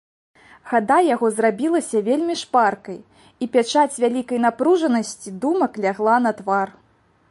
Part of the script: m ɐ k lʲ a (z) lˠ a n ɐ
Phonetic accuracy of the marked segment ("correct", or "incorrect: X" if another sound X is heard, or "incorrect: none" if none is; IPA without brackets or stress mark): incorrect: ɣ